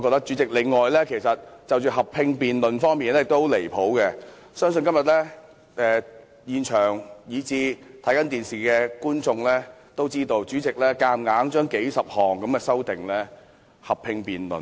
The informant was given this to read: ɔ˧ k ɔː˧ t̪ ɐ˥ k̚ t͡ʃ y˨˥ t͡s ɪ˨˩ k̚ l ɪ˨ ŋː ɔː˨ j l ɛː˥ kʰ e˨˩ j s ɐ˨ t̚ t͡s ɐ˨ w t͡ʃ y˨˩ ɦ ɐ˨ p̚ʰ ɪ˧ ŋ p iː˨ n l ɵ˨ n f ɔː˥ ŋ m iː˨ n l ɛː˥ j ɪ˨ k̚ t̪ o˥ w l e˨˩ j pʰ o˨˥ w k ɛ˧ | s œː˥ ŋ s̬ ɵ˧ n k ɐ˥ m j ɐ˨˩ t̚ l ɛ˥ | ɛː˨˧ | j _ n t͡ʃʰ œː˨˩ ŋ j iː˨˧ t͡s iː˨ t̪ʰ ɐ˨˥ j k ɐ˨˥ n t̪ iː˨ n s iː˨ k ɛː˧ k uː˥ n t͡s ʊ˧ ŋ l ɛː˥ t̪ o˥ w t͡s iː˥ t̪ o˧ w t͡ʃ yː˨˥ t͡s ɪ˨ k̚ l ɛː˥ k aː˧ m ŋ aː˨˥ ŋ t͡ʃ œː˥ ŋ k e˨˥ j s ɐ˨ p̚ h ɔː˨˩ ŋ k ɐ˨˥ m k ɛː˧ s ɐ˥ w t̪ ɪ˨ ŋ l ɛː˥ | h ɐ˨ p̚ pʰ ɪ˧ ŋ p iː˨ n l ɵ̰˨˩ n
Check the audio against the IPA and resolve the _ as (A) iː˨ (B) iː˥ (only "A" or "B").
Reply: A